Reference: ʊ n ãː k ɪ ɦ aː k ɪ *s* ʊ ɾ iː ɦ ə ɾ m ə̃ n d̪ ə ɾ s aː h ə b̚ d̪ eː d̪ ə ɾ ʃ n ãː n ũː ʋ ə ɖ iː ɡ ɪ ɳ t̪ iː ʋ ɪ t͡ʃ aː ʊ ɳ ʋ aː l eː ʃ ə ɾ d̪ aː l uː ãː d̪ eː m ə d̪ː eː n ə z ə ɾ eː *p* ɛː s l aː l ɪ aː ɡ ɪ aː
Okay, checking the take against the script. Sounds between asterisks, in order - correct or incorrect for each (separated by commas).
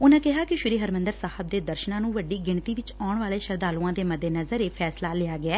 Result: incorrect, incorrect